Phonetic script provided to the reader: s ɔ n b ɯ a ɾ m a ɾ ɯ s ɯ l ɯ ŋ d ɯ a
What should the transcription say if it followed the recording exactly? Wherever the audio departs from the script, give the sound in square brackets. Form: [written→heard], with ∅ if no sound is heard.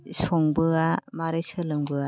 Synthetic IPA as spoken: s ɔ [n→ŋ] b ɯ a [ɾ→∅] m a ɾ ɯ s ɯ l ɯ ŋ [d→b] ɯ a